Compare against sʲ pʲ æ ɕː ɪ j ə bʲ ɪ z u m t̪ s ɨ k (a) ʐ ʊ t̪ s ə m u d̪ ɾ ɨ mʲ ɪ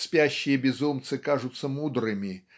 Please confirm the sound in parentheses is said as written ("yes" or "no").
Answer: yes